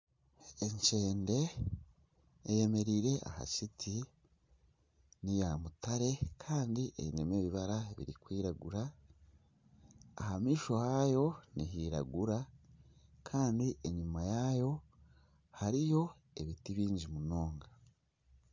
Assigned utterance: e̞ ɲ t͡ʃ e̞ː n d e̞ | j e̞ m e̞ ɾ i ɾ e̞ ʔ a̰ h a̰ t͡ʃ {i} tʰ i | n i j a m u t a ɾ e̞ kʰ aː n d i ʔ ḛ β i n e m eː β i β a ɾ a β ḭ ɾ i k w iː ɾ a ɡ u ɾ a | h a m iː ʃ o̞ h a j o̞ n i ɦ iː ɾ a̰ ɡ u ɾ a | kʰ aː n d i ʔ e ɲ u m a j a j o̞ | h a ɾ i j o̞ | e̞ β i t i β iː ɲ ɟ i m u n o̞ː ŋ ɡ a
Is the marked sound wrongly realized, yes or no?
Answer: no